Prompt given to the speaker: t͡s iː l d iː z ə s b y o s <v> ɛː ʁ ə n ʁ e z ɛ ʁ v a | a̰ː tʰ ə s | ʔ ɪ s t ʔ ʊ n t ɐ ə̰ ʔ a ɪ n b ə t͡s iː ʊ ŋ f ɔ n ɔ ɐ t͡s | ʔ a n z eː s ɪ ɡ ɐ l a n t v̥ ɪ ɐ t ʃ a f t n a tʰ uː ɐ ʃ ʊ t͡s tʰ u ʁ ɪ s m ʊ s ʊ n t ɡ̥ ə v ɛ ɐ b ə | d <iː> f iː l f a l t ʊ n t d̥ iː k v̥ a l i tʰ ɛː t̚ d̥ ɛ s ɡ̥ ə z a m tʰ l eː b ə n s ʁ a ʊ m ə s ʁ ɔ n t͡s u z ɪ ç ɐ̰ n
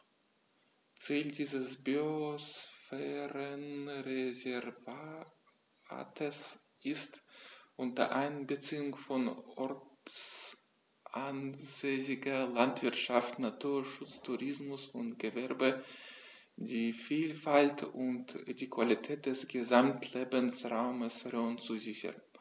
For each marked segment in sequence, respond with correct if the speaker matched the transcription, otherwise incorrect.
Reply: incorrect: f, correct

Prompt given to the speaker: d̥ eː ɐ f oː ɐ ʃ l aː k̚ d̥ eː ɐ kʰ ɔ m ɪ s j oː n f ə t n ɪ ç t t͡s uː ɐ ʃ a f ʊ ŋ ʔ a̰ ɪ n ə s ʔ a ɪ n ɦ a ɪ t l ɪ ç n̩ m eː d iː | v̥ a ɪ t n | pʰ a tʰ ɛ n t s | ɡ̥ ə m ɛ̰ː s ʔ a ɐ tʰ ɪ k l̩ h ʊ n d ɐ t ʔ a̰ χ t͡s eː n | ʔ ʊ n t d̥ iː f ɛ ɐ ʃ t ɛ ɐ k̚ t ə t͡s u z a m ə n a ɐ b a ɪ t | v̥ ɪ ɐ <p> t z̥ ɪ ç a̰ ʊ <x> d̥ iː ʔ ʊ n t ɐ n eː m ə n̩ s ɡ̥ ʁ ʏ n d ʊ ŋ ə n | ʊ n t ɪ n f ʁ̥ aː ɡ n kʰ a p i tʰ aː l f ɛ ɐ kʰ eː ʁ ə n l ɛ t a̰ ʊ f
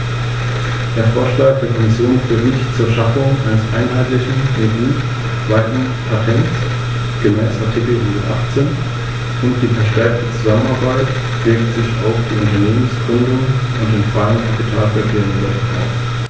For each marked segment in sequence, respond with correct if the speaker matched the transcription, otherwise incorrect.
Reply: incorrect: k, incorrect: f

